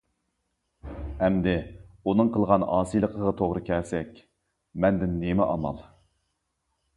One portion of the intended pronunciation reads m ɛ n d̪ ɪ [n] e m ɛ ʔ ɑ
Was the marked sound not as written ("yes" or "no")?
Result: yes